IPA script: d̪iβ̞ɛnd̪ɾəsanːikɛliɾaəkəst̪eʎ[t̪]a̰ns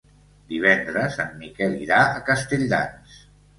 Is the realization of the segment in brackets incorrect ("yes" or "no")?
yes